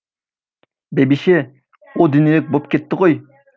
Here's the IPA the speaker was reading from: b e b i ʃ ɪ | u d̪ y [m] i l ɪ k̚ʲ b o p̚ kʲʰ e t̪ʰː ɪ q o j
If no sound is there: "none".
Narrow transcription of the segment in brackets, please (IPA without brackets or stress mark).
n